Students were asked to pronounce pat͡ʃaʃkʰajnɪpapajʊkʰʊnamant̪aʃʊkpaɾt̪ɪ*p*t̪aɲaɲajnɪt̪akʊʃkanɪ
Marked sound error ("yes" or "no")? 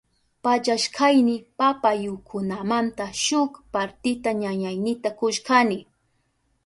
yes